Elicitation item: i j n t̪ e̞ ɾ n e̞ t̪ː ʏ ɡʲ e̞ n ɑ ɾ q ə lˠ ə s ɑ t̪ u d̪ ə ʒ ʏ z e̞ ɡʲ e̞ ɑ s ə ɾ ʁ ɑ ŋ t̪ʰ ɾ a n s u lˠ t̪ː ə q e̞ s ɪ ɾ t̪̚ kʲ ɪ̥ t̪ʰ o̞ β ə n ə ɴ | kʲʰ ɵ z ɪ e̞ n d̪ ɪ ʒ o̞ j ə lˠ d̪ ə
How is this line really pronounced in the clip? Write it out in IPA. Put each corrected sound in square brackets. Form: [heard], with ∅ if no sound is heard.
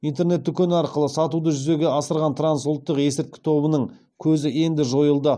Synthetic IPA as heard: i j n t̪ e̞ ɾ n e̞ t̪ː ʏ [kʲ] e̞ n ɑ ɾ q ə lˠ ə s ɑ t̪ u d̪ ə ʒ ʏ z e̞ ɡʲ e̞ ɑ s ə ɾ ʁ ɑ [n] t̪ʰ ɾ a n s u lˠ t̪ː ə q e̞ s ɪ ɾ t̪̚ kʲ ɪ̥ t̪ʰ o̞ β ə n ə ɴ | kʲʰ ɵ z ɪ e̞ n d̪ ɪ ʒ o̞ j ə lˠ d̪ ə